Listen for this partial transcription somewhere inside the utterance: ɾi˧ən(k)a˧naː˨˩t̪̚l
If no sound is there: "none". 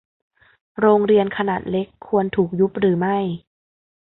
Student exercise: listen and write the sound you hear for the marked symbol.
kʰ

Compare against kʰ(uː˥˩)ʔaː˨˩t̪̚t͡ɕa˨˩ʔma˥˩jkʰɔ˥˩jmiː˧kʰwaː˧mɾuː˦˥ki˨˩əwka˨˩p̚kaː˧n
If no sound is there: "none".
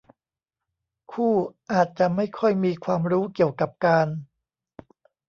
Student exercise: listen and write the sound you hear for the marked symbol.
uː˥˩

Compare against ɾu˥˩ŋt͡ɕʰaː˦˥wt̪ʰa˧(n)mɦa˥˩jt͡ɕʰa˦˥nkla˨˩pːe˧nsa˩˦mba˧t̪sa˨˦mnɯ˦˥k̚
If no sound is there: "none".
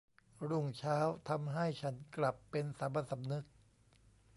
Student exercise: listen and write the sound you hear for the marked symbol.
none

